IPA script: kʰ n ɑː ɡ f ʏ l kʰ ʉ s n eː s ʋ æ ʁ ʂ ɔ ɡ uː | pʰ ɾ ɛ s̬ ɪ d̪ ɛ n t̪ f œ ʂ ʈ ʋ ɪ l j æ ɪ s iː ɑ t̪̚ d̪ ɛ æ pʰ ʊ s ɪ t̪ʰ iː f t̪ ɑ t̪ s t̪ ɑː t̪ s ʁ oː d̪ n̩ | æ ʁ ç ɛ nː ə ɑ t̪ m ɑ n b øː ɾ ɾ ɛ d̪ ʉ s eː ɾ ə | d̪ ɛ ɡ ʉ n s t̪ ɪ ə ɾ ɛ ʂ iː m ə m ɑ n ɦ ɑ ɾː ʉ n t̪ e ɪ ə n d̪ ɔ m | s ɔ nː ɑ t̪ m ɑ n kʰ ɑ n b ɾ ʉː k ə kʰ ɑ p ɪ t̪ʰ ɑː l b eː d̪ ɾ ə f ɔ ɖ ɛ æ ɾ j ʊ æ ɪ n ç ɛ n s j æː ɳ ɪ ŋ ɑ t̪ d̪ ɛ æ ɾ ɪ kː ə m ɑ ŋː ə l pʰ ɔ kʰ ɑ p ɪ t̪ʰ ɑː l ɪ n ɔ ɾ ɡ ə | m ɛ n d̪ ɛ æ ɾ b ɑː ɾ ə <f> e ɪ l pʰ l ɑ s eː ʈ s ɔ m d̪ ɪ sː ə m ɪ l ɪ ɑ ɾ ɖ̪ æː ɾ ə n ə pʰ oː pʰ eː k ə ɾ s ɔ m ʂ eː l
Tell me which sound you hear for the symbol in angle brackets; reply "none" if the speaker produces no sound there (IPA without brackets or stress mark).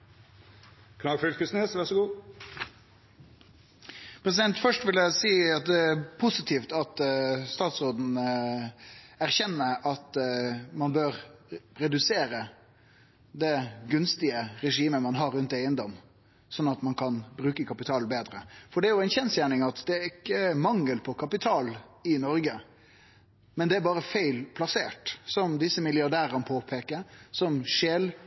f